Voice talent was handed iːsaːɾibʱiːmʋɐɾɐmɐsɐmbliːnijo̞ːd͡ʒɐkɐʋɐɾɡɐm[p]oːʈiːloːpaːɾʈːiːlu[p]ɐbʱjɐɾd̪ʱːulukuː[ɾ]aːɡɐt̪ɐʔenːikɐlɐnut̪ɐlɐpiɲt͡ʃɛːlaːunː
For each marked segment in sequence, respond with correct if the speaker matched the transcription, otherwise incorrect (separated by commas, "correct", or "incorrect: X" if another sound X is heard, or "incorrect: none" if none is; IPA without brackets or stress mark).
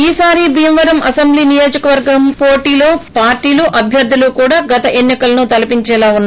correct, incorrect: ʔ, incorrect: ɽ